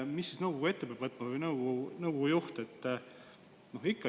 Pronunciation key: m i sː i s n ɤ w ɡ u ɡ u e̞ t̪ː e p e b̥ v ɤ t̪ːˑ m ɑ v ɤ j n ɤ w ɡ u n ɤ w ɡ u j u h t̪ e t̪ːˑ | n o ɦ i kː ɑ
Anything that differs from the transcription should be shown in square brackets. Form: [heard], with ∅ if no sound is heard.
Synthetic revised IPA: m i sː i s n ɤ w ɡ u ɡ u e̞ t̪ː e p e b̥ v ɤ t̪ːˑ m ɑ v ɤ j n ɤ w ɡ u n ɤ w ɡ u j u h t̪ e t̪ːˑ | n o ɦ i kː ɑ